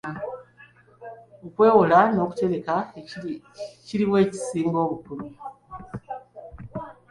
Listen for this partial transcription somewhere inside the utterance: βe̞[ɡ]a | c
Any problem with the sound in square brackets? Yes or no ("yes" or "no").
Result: yes